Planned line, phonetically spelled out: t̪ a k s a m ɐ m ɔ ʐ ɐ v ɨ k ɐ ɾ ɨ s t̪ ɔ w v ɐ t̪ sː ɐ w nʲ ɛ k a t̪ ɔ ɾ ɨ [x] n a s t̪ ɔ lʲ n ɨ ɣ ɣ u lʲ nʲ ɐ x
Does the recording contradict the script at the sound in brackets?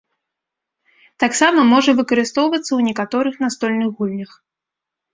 no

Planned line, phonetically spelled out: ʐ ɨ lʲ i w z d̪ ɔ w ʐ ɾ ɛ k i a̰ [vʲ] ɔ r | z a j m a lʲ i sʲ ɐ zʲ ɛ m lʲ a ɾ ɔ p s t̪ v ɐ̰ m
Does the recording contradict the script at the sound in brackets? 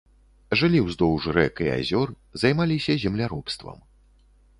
yes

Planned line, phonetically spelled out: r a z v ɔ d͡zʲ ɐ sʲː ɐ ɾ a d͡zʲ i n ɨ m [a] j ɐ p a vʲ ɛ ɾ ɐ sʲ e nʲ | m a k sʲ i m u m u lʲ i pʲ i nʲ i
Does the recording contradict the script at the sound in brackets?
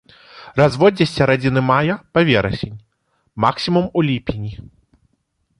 no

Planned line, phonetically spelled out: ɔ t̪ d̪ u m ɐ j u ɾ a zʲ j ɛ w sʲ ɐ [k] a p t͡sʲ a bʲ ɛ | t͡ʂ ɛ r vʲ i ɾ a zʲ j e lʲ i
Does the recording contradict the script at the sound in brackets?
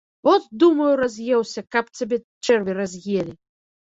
no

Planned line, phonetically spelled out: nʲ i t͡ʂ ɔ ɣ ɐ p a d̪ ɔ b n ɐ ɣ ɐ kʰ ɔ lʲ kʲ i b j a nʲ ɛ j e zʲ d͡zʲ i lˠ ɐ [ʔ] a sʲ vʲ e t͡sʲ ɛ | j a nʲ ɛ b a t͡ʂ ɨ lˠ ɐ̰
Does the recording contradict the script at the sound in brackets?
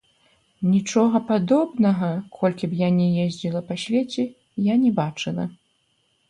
yes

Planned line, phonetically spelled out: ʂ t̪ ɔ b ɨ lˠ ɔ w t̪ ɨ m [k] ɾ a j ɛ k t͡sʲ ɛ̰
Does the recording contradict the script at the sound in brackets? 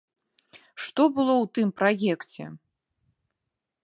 yes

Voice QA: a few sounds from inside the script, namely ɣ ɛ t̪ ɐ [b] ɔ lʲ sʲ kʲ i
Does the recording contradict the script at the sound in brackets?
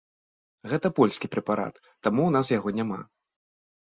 yes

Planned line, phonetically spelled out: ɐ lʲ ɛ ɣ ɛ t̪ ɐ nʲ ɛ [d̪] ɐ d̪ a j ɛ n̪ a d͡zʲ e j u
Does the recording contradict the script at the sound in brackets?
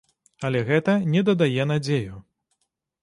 no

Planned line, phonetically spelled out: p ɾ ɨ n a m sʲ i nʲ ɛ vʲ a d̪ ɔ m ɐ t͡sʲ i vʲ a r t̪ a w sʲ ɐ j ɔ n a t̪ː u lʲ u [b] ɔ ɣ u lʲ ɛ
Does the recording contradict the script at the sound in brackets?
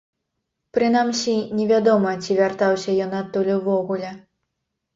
yes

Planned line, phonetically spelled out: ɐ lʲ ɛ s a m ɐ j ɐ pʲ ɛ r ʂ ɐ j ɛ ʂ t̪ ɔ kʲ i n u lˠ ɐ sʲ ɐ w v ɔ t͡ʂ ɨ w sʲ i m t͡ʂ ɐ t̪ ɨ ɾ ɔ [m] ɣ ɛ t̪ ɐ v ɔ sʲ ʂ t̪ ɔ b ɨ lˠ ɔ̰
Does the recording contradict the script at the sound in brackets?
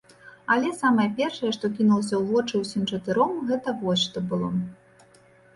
no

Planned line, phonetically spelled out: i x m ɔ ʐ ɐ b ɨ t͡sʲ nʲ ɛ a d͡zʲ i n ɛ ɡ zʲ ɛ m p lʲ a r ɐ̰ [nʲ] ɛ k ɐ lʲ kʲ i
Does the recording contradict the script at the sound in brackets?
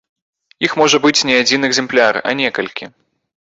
no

